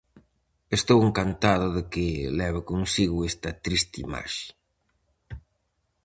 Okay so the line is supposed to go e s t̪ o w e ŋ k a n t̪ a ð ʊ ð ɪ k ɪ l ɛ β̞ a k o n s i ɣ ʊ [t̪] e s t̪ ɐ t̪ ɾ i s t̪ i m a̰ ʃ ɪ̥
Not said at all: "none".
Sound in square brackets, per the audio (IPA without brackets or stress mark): none